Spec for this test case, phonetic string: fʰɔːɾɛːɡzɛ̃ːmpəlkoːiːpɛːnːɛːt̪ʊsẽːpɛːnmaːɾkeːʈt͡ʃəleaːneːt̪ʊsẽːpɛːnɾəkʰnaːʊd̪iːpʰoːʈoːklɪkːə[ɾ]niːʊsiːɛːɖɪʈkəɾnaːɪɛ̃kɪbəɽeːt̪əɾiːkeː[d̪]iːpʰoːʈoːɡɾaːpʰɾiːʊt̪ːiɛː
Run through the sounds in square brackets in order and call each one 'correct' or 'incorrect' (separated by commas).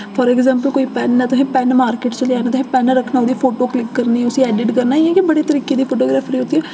correct, correct